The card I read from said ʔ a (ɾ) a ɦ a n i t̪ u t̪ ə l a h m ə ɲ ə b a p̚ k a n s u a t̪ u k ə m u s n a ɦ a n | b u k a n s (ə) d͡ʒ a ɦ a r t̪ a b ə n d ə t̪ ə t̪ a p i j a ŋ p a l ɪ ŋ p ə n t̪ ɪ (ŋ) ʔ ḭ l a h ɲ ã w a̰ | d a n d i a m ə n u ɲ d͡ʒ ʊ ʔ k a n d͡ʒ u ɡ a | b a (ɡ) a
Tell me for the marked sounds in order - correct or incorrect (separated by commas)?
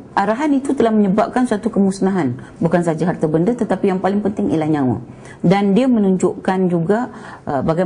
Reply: correct, incorrect, correct, correct